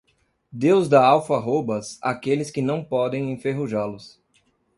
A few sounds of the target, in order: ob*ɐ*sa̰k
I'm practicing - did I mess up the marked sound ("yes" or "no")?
no